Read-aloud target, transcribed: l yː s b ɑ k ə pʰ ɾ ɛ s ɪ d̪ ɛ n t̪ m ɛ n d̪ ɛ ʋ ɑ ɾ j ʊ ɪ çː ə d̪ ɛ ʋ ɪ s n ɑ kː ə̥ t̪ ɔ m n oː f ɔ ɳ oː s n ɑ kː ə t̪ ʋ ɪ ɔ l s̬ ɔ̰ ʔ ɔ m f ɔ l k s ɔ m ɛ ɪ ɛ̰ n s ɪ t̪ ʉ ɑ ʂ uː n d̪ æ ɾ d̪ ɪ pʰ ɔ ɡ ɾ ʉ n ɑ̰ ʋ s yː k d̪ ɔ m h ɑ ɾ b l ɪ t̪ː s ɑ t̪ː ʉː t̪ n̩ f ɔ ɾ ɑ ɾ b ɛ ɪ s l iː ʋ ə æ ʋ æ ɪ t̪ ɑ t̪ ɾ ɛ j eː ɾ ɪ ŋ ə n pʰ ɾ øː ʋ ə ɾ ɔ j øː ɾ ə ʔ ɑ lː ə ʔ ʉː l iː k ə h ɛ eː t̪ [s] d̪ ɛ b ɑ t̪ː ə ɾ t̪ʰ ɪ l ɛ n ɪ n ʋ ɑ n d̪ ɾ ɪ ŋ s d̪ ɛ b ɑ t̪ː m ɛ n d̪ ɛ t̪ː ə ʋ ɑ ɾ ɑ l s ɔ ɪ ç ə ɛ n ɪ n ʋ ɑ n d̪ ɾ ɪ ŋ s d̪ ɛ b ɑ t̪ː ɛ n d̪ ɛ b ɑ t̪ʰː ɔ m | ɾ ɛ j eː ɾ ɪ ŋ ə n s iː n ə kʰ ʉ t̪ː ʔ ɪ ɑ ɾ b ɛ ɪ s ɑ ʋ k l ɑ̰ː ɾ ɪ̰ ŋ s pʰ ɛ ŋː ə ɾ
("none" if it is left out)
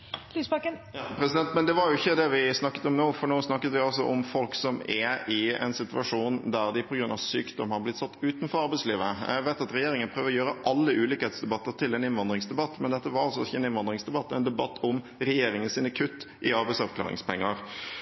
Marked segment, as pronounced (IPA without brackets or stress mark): s